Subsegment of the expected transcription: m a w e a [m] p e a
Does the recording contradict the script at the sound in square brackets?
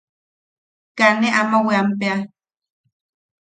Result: no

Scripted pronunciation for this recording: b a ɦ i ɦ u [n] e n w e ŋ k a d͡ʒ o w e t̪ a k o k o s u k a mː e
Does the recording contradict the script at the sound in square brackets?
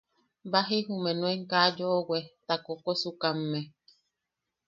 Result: yes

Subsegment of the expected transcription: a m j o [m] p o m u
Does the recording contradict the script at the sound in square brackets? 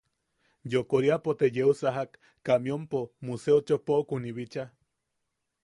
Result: no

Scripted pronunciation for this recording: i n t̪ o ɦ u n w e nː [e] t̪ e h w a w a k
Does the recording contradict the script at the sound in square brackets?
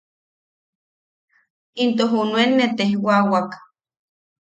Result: no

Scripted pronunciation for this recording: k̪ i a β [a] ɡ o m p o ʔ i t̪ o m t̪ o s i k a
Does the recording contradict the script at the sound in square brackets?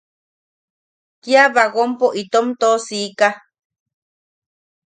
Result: no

